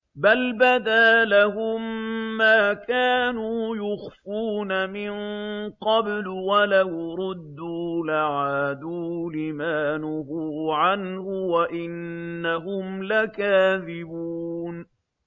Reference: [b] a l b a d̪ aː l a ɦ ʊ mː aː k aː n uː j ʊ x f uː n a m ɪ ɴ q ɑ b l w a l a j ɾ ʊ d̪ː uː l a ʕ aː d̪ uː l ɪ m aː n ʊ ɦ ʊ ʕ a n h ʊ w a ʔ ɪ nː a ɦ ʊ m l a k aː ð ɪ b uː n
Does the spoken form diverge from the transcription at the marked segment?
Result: no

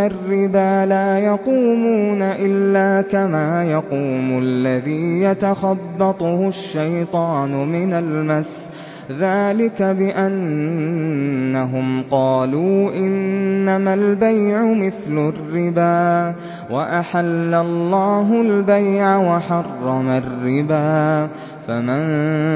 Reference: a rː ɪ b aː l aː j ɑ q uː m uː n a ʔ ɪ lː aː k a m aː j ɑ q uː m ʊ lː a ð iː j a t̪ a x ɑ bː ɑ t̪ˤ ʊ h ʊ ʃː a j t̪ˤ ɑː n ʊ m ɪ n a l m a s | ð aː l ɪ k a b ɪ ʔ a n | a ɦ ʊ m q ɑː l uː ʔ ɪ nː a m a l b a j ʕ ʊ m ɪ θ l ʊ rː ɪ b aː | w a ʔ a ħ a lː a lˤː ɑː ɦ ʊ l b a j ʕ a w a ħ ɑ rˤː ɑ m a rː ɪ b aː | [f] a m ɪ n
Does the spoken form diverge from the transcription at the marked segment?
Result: no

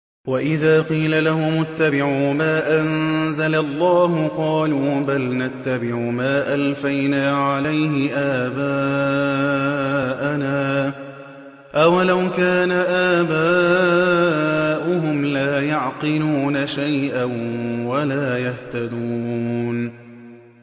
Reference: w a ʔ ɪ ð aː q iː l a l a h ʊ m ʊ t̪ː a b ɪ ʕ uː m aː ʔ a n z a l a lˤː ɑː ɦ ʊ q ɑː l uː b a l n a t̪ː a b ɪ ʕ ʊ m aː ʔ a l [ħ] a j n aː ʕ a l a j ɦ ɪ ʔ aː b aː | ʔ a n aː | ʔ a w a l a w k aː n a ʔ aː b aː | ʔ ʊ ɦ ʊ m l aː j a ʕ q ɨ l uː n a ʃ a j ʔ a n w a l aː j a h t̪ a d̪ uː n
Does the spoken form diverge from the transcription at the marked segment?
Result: yes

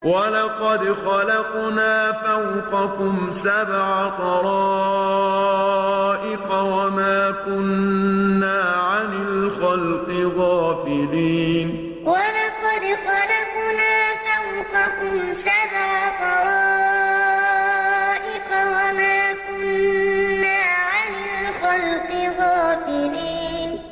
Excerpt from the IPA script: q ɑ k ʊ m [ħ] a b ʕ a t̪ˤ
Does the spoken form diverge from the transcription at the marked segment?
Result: yes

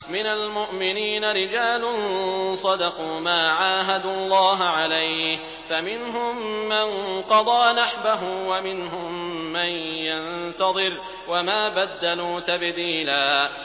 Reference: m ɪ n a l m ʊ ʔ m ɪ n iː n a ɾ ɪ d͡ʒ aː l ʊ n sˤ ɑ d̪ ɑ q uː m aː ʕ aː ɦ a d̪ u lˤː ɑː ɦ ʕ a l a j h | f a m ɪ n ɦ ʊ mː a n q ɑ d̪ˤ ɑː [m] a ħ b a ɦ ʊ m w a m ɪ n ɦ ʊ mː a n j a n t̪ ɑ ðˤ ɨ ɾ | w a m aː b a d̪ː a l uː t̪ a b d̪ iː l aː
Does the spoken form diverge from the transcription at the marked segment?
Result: yes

